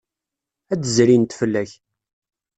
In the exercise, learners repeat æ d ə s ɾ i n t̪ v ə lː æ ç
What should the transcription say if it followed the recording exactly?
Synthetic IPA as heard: æ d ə z ɾ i n t̪ f ə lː æ ç